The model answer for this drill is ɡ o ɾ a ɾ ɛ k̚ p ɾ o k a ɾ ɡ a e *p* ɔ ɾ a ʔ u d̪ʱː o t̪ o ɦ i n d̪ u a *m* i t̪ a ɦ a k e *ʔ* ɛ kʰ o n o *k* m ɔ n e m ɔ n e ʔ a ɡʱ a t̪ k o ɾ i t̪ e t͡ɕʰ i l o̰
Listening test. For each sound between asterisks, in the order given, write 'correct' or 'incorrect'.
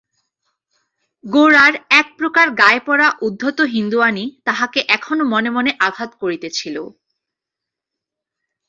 correct, incorrect, correct, incorrect

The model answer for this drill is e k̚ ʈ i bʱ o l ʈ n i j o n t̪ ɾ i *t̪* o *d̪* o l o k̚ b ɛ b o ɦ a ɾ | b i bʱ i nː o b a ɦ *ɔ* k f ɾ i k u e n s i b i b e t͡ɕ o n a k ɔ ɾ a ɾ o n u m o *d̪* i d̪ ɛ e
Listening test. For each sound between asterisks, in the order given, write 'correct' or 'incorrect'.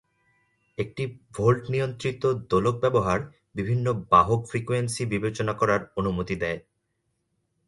correct, correct, incorrect, incorrect

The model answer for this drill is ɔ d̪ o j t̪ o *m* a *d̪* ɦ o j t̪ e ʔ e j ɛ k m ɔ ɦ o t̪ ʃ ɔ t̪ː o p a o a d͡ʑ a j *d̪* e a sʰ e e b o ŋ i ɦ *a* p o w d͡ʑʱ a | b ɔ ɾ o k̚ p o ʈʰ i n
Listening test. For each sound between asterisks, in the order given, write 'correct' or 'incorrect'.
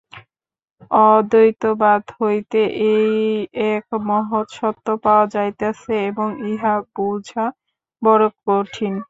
incorrect, correct, incorrect, correct

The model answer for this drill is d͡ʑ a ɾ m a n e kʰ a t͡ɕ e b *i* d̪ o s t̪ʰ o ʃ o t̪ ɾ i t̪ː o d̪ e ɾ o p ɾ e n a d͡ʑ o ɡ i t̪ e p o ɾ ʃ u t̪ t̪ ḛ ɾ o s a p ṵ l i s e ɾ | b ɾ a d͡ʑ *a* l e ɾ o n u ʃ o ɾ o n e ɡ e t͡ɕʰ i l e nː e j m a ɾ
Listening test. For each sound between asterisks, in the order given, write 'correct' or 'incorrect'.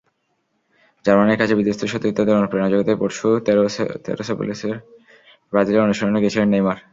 correct, incorrect

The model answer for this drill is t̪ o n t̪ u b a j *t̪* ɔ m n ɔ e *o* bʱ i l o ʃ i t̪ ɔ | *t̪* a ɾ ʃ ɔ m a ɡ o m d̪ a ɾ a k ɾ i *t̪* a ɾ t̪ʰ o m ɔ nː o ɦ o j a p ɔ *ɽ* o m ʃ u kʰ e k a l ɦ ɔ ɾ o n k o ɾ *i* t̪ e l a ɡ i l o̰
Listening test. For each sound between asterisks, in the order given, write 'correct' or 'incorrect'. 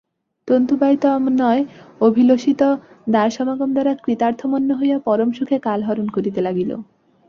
correct, correct, incorrect, correct, incorrect, correct

